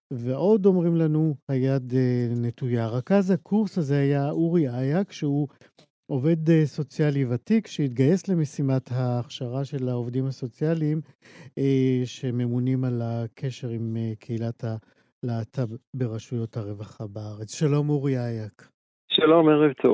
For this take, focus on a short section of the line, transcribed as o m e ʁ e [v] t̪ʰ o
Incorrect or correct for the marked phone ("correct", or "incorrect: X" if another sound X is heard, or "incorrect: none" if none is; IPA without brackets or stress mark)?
correct